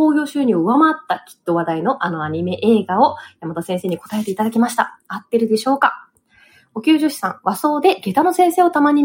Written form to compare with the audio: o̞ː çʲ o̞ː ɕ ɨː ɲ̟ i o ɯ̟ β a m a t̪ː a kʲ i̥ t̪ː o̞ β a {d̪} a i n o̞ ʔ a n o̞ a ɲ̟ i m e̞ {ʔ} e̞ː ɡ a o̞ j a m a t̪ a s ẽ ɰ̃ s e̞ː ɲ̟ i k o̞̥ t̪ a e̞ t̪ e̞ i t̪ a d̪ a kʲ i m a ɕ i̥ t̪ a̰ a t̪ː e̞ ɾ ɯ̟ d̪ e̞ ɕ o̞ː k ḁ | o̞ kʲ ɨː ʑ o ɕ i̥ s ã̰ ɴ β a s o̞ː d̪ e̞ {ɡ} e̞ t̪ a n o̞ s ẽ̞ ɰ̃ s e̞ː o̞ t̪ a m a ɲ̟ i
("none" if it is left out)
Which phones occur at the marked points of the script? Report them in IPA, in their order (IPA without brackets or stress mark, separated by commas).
d̪, ʔ, ɡ